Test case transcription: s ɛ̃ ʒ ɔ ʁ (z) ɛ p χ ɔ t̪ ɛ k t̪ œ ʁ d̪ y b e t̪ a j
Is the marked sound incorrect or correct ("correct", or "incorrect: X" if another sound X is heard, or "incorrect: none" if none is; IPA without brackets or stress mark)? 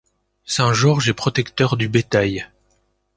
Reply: incorrect: ʒ